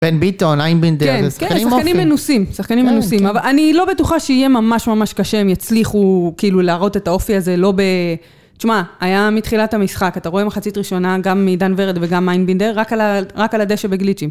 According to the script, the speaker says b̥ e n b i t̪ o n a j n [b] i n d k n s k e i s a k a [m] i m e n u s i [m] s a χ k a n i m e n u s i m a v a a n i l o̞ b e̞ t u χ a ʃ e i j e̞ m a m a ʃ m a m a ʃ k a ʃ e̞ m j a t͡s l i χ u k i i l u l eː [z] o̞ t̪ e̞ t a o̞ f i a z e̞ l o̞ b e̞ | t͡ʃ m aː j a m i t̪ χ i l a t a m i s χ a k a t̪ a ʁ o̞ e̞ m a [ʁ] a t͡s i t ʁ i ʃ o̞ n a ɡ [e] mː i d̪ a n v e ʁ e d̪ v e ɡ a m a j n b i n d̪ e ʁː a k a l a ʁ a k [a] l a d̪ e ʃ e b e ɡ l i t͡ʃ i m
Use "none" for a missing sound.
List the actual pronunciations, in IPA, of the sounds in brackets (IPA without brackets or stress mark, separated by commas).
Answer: b, n, m, ʁ, χ, a, a